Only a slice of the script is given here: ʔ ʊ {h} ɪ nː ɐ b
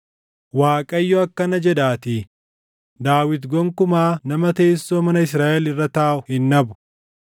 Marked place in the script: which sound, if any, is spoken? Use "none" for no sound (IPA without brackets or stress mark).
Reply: h